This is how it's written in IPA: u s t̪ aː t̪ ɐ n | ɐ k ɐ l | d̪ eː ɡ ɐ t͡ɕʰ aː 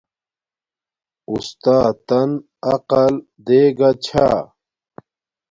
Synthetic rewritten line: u s t̪ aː t̪ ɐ n | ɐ q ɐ l | d̪ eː ɡ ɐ t͡ɕʰ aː